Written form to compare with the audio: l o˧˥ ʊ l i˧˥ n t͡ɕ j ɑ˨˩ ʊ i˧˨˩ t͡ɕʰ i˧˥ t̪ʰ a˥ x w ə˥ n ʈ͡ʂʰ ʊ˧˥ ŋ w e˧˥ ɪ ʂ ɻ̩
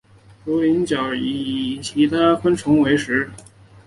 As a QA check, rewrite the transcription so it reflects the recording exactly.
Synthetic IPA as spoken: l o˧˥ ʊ l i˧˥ n t͡ɕ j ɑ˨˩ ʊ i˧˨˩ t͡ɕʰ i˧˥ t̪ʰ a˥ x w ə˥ n ʈ͡ʂʰ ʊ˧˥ ŋ w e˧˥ ɪ ʂ ɻ̩

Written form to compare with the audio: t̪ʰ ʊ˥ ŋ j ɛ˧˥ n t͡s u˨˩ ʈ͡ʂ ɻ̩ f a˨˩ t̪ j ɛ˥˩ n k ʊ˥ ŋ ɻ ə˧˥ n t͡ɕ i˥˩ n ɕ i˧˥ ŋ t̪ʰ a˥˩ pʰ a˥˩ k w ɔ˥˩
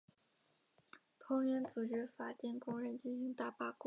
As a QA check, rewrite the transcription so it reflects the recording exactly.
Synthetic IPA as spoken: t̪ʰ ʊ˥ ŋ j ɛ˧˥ n t͡s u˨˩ ʈ͡ʂ ɻ̩ f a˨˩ t̪ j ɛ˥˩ n k ʊ˥ ŋ ɻ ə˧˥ n t͡ɕ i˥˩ n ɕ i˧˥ ŋ t̪ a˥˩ p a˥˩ k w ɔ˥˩

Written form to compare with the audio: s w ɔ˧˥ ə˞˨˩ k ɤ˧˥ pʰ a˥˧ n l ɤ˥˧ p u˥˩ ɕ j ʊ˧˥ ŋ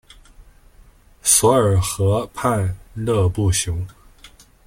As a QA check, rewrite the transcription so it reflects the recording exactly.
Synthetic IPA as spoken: s w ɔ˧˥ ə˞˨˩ x ɤ˧˥ pʰ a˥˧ n l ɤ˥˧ p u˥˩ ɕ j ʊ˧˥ ŋ

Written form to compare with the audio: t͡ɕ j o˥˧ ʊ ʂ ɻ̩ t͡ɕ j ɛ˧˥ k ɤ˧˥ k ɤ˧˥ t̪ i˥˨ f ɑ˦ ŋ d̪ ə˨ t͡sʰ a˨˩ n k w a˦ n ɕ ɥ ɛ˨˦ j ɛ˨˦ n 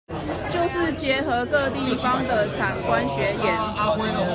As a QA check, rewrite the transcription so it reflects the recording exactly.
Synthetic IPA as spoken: t͡ɕ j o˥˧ ʊ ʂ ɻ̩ t͡ɕ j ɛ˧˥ x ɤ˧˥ k ɤ˥˧ t̪ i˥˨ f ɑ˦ ŋ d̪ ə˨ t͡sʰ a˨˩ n k w a˦ n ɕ ɥ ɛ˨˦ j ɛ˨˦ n

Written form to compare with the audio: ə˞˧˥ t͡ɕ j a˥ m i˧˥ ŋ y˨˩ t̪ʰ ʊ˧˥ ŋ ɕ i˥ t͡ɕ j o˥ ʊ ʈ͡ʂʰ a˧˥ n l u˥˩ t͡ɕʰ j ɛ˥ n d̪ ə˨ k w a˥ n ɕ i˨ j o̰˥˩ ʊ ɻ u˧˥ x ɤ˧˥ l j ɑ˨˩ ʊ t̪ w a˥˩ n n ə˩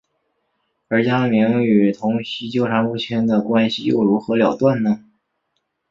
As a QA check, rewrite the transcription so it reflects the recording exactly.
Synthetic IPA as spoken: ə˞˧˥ t͡ɕ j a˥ m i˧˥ ŋ y˨˩ t̪ʰ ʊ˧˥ ŋ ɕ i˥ t͡ɕ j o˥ ʊ ʈ͡ʂʰ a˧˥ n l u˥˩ t͡ɕʰ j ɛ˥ n d̪ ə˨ k w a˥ n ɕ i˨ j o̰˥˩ ʊ ɻ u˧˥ x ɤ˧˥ l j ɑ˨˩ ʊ t̪ w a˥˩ n n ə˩

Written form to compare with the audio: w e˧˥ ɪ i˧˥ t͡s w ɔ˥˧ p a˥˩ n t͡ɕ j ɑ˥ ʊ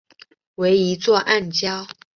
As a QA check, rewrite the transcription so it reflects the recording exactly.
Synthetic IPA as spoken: w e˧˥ ɪ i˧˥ t͡s w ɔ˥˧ ʔ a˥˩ n t͡ɕ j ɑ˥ ʊ

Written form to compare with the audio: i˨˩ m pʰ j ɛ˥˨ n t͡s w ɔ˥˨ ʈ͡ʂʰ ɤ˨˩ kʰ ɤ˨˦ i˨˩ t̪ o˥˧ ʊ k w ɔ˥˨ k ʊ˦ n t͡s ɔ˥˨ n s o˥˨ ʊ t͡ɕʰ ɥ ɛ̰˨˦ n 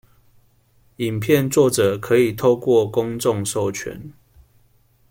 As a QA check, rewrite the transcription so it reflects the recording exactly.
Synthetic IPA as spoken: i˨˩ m pʰ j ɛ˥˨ n t͡s w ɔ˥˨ ʈ͡ʂ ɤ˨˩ kʰ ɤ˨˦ i˨˩ t̪ʰ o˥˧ ʊ k w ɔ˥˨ k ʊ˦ ŋ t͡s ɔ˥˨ ŋ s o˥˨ ʊ t͡ɕʰ ɥ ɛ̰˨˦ n

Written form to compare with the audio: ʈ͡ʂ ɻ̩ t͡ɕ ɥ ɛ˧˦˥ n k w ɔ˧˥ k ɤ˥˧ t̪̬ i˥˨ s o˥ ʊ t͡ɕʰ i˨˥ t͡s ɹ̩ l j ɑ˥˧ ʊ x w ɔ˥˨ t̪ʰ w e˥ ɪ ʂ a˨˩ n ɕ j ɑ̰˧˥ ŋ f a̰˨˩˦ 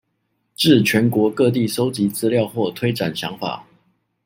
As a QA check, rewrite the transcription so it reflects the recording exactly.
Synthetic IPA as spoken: ʈ͡ʂ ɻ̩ t͡ɕʰ ɥ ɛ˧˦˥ n k w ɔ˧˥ k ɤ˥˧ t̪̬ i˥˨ s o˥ ʊ t͡ɕ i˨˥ t͡s ɹ̩ l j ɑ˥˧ ʊ x w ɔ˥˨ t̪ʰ w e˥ ɪ ʈ͡ʂ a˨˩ n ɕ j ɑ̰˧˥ ŋ f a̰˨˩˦

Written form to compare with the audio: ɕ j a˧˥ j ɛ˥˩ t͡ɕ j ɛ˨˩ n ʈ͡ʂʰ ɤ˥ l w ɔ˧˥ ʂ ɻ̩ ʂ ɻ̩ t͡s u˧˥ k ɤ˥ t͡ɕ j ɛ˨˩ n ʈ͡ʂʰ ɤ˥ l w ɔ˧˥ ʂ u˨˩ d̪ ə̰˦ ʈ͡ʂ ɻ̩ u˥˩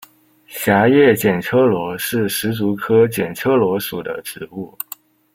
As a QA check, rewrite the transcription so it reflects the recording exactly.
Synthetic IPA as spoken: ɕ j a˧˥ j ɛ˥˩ t͡ɕ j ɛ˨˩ n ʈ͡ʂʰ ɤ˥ l w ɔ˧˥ ʂ ɻ̩ ʂ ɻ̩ t͡s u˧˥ kʰ ɤ˥ t͡ɕ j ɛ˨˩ n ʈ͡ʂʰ ɤ˥ l w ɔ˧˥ ʂ u˨˩ d̪ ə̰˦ ʈ͡ʂ ɻ̩ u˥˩

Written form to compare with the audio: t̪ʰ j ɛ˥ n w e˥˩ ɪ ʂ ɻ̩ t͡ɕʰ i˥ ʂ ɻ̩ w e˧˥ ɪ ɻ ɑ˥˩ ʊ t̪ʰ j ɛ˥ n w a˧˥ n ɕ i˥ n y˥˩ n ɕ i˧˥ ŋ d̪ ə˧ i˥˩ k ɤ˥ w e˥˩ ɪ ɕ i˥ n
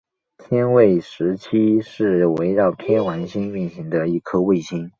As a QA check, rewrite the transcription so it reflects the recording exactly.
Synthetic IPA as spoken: t̪ʰ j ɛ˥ n w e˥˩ ɪ ʂ ɻ̩ t͡ɕʰ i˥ ʂ ɻ̩ w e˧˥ ɪ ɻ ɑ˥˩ ʊ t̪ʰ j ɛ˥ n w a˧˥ n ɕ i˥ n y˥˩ n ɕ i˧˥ ŋ d̪ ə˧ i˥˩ kʰ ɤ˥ w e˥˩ ɪ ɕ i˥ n

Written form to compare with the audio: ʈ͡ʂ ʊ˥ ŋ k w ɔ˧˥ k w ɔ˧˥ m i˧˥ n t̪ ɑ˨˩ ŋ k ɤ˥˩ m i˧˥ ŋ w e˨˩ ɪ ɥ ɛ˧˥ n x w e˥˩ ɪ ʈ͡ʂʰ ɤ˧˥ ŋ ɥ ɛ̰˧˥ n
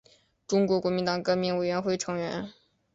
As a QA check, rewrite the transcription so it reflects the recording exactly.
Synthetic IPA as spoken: ʈ͡ʂ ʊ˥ ŋ k w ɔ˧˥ k w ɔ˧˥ m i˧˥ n t̪ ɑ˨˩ ŋ k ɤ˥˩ m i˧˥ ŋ w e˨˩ ɪ ɥ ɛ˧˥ n x w e˥˩ ɪ ʈ͡ʂʰ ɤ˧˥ ŋ ɥ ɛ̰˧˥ n

